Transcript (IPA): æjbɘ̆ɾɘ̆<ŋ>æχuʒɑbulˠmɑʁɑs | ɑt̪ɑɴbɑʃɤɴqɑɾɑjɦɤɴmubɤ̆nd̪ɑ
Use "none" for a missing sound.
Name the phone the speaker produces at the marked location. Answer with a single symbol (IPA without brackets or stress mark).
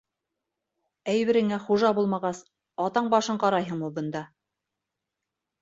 ŋ